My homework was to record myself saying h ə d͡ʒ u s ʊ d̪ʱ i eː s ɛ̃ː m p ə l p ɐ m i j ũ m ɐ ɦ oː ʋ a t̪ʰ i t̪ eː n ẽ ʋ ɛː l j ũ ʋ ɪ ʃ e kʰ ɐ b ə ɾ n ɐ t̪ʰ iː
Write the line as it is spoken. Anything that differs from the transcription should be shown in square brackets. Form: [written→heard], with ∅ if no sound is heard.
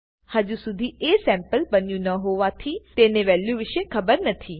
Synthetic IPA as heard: h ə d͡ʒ u s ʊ d̪ʱ i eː s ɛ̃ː m p ə l [p→b] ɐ [m→n] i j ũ [m→n] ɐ ɦ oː ʋ a t̪ʰ i t̪ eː n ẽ ʋ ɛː l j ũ ʋ ɪ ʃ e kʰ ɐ b ə ɾ n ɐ t̪ʰ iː